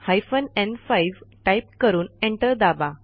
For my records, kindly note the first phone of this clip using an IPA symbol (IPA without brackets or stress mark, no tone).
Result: h